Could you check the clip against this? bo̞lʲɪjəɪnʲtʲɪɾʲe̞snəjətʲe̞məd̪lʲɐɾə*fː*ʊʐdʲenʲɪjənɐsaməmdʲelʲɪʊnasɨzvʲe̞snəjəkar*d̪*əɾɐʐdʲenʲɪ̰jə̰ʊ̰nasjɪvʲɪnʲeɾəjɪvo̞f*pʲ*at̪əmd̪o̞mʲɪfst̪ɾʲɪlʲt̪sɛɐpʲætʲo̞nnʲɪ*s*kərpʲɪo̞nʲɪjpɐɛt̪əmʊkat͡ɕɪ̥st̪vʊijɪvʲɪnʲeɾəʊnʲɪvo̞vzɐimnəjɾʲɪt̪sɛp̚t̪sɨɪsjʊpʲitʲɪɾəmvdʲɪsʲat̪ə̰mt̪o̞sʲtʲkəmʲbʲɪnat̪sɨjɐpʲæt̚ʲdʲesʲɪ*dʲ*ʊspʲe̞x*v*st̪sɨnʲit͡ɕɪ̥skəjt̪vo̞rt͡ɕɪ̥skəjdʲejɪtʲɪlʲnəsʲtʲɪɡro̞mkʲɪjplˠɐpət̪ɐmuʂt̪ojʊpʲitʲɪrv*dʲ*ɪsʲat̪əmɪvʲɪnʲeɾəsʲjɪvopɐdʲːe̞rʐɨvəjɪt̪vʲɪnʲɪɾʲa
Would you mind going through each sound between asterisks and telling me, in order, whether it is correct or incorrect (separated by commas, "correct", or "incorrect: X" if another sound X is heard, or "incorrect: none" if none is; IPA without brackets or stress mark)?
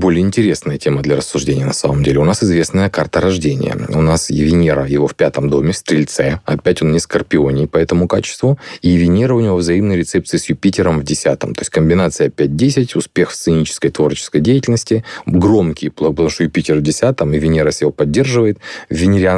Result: incorrect: sː, incorrect: t̪, correct, correct, incorrect: tʲ, incorrect: f, correct